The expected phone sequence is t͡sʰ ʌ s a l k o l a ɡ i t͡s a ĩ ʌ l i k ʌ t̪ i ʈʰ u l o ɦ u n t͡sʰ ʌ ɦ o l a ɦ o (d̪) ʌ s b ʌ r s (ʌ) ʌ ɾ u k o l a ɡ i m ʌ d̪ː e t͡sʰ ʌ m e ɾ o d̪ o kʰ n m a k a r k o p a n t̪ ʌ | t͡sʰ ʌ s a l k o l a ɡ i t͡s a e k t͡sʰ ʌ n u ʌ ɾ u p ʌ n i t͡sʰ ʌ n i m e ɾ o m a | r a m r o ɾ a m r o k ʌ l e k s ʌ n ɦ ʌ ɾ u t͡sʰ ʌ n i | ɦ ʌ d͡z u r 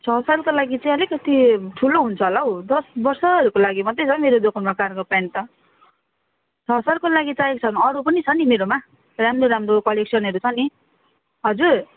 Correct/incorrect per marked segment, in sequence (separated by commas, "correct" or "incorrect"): correct, correct